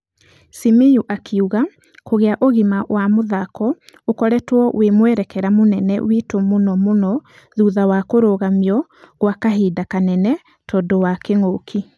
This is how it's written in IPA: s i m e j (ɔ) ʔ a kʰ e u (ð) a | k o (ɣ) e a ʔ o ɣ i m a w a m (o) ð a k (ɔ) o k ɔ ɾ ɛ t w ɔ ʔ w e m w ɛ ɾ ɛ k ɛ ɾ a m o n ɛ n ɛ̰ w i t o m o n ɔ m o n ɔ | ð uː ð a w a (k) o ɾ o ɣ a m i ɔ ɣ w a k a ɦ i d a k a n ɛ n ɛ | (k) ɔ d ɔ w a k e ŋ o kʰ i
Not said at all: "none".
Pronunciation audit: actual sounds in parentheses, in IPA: u, ɣ, ɣ, o, ɔ, k, t

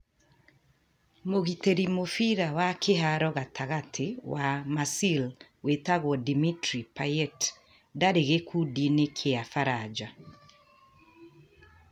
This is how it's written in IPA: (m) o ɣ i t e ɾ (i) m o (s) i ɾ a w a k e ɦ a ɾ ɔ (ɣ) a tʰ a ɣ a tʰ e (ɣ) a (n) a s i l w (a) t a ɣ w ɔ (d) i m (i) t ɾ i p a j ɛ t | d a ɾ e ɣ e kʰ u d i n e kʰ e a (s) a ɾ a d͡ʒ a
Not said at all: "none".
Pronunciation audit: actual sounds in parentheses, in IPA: m, i, f, ɣ, w, m, e, d, i, f

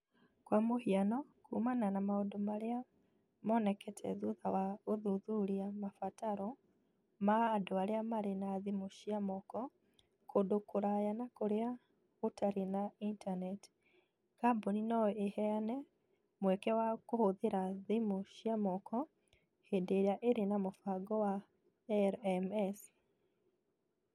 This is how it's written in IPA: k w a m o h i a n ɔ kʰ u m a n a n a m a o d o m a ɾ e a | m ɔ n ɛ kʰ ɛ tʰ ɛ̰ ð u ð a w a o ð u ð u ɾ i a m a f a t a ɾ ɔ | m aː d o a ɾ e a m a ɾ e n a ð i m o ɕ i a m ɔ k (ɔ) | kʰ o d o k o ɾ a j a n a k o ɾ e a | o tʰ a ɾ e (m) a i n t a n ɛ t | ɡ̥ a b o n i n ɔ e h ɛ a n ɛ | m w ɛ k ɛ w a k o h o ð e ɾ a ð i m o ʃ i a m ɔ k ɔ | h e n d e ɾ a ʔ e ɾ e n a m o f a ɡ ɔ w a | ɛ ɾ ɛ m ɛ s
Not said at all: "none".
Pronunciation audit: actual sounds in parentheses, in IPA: ɔ, n

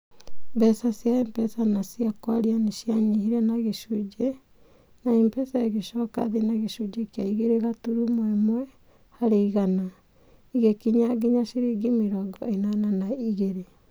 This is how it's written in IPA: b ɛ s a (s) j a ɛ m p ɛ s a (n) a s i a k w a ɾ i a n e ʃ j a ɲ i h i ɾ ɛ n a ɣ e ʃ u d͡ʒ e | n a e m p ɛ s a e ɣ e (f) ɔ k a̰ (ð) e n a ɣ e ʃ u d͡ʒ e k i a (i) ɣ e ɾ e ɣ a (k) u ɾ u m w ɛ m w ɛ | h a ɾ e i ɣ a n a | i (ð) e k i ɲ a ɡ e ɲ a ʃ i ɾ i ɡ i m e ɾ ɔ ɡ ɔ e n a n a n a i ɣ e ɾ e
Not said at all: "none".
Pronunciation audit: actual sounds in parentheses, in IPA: s, n, ʃ, ð, i, t, ɣ

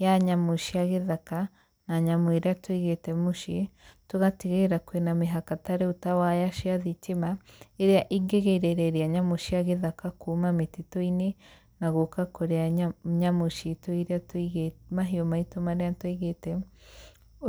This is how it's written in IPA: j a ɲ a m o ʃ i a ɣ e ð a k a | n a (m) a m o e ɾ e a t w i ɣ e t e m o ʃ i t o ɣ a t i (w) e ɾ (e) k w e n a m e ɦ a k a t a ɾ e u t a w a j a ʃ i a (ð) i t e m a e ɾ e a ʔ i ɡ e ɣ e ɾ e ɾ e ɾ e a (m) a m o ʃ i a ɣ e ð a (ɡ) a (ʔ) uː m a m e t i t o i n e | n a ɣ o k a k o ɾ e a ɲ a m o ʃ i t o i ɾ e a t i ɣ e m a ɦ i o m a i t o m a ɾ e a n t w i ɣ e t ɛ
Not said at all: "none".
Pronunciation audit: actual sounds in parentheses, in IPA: ɲ, ɣ, a, ð, ɲ, k, k

